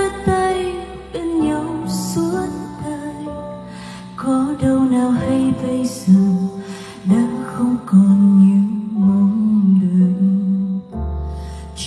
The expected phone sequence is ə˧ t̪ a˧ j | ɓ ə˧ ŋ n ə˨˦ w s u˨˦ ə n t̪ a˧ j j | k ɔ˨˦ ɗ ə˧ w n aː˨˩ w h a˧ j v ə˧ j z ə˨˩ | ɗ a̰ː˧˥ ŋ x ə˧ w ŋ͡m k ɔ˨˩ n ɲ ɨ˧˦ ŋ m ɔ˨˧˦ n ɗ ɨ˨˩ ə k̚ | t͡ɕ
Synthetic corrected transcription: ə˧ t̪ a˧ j | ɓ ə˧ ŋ ɲ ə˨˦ w s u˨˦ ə n t̪ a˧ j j | k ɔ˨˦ ɗ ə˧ w n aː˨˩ w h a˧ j v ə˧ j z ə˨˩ | ɗ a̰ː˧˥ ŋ x ə˧ w ŋ͡m k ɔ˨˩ n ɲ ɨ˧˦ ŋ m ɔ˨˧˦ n ɗ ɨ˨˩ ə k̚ | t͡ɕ